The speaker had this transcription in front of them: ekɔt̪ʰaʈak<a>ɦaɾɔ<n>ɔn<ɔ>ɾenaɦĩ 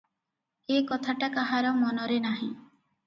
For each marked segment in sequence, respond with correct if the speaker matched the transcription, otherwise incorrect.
correct, incorrect, correct

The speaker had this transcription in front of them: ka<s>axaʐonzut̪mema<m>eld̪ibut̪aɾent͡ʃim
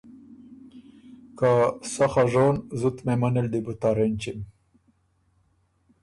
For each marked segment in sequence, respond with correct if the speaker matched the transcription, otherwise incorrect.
correct, incorrect

